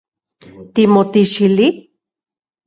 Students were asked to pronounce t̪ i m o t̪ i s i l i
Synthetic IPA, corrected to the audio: t̪ i m o t̪ i ʃ i l i